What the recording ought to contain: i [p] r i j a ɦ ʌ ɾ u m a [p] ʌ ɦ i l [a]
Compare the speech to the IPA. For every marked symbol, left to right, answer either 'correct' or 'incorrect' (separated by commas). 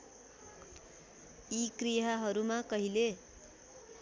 incorrect, incorrect, incorrect